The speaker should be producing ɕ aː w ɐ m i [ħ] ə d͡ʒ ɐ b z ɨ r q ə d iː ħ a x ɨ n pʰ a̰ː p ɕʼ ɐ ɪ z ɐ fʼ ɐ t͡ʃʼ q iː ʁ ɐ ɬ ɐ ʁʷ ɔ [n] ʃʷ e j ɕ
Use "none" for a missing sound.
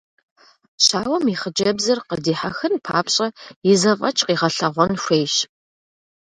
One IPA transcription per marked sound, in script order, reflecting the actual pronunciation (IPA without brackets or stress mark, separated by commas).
χ, n